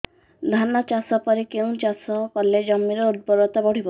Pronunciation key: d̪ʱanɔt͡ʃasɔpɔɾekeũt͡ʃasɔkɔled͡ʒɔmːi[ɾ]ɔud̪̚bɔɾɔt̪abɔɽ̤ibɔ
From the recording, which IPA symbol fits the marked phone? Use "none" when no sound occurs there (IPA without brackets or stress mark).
ɾ